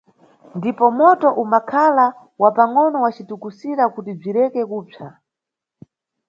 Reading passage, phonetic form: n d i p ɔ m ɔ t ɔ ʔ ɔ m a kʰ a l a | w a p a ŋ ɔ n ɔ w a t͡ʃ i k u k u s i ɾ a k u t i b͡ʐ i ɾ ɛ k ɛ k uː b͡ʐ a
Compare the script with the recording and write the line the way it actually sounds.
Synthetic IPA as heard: n d i p ɔ m ɔ t ɔ ʔ u m a kʰ a l a | w a p a ŋ ɔ n ɔ w a t͡ʃ i t u k u s i ɾ a k u t i b͡ʐ i ɾ ɛ k ɛ k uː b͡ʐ a